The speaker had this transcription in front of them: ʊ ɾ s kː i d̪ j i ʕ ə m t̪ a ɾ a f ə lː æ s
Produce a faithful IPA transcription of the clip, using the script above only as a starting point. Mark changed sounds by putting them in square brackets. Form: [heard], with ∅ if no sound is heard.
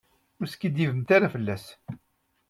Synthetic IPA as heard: ʊ ɾ s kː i d̪ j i [v] ə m t̪ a ɾ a f ə lː æ s